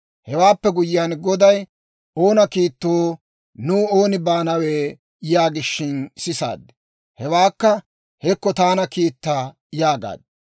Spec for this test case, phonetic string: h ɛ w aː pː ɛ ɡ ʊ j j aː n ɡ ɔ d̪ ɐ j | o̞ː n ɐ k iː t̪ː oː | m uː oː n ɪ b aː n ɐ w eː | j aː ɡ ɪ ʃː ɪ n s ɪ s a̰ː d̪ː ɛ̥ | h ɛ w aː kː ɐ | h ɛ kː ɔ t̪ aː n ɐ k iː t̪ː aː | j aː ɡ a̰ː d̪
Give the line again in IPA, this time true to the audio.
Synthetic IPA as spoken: h ɛ w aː pː ɛ ɡ ʊ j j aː n ɡ ɔ d̪ ɐ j | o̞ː n ɐ k iː t̪ː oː | n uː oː n ɪ b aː n ɐ w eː | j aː ɡ ɪ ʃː ɪ n s ɪ s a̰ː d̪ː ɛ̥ | h ɛ w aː kː ɐ | h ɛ kː ɔ t̪ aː n ɐ k iː t̪ː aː | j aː ɡ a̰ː d̪